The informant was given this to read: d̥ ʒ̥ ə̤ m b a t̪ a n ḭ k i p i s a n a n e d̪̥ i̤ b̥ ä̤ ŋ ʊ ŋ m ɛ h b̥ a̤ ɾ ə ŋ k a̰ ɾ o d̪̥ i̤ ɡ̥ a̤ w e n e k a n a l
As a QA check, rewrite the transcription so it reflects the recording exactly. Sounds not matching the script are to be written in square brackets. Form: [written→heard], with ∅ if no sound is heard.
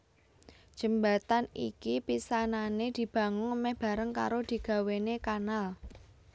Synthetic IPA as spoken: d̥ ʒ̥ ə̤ m b a t̪ a n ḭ k i p i s a n a n e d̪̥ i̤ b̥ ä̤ ŋ ʊ ŋ m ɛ h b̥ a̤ ɾ ə ŋ k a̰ ɾ o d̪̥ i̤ ɡ̥ a̤ w e n e k a n a l